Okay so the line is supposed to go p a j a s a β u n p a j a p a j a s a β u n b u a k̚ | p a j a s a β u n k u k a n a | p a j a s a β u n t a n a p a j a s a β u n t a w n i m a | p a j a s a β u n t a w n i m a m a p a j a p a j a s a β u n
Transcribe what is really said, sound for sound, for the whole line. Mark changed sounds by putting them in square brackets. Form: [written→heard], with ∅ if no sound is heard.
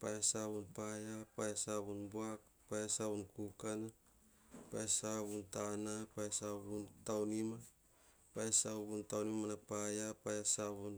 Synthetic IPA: p a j a s a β u n p a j a p a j a s a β u n b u a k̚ | p a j a s a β u n k u k a n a | p a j a s a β u n t a n a p a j a s a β u n t a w n i m a | p a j a s a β u n t a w n i m a [m→n] a p a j a p a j a s a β u n